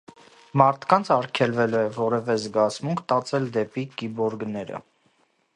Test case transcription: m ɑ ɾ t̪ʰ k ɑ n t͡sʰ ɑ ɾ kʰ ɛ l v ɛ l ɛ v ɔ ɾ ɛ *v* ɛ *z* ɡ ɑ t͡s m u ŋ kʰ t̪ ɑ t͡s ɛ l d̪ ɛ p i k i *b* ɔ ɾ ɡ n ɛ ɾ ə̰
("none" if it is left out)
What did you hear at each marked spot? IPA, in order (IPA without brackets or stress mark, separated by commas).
v, z, b